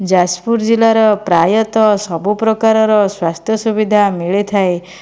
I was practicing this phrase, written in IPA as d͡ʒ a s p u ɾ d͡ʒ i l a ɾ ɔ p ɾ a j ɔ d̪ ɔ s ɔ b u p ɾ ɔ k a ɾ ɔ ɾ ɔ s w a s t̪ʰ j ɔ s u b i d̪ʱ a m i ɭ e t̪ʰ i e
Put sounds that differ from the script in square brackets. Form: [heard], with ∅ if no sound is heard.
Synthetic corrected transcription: d͡ʒ a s p u ɾ d͡ʒ i l a ɾ ɔ p ɾ a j ɔ [t̪] ɔ s ɔ b u p ɾ ɔ k a ɾ ɔ ɾ ɔ s w a s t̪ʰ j ɔ s u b i d̪ʱ a m i ɭ e t̪ʰ [a] e